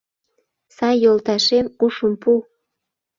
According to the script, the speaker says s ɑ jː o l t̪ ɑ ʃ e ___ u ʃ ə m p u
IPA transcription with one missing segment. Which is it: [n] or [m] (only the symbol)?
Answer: m